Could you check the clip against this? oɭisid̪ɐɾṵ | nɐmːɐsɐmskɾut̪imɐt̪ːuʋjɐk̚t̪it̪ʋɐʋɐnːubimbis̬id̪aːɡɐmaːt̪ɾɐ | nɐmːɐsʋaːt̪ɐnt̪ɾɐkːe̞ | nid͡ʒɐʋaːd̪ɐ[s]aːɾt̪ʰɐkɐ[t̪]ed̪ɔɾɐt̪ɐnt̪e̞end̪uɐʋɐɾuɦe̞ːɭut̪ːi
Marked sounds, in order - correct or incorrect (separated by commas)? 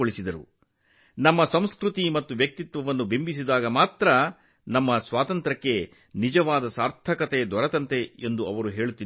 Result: correct, correct